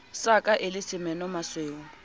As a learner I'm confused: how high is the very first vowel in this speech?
low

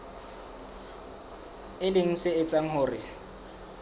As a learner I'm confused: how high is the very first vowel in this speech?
high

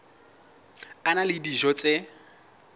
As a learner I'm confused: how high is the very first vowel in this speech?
low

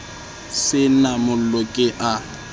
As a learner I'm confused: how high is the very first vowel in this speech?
high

